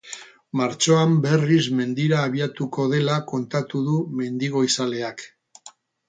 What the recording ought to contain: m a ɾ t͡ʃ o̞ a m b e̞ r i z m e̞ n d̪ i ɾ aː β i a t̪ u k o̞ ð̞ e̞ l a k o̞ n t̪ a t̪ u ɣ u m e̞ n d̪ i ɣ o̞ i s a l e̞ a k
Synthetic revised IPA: m a ɾ t͡ʃ o̞ a m b e̞ r i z m e̞ n d̪ i ɾ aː β i a t̪ u k o̞ ð̞ e̞ l a k o̞ n t̪ a t̪ u ð u m e̞ n d̪ i ɣ o̞ i s a l e̞ a k